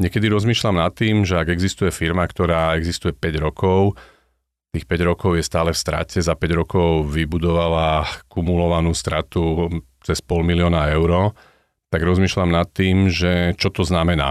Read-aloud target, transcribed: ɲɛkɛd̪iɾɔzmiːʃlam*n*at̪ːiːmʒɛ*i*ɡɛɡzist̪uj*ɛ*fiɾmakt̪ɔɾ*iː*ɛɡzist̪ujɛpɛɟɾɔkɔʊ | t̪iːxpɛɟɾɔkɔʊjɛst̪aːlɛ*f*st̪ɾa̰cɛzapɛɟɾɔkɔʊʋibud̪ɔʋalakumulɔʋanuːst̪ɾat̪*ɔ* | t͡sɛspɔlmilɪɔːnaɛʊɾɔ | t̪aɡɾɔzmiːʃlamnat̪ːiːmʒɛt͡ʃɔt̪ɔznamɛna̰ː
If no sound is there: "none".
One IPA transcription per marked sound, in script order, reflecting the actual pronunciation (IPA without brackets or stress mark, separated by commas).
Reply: n, a, ɛ, aː, f, u